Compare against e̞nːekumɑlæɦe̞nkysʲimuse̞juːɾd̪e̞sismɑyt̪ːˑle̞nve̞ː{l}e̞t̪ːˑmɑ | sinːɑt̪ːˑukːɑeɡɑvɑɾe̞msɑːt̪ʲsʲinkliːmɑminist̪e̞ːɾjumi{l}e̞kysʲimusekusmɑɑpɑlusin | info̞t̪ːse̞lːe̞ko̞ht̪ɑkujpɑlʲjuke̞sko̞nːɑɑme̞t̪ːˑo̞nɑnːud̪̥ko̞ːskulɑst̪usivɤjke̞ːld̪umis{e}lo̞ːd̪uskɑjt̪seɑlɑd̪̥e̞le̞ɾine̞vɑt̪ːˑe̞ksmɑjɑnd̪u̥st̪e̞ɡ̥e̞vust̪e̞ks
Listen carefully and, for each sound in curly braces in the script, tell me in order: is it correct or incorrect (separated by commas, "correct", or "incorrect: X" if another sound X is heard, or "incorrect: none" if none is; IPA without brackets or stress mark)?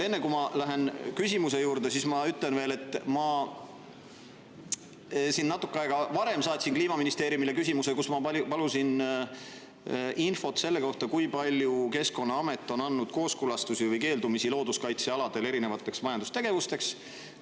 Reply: correct, correct, incorrect: i